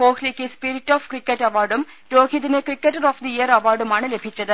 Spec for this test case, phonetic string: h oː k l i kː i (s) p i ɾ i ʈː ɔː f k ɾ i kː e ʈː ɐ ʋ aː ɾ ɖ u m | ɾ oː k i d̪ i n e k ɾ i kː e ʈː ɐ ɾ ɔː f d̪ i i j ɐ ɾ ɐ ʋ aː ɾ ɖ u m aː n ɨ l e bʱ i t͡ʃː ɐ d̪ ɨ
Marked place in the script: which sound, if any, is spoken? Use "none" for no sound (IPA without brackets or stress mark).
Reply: s